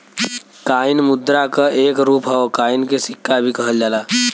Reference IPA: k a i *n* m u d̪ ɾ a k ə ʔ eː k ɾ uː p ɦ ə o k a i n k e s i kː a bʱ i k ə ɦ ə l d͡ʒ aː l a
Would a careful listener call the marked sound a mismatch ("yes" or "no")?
no